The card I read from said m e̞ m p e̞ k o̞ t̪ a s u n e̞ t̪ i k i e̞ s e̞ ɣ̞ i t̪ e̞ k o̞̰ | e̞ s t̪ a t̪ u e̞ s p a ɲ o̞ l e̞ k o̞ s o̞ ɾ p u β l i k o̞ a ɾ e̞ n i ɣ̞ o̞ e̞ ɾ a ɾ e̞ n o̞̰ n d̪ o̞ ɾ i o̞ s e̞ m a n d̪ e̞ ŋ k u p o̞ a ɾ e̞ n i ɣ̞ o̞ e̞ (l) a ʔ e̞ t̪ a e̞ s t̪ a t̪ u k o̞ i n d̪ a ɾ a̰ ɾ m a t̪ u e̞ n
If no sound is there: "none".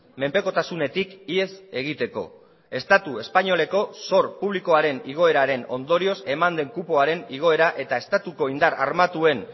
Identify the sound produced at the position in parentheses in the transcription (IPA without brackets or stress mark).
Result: ɾ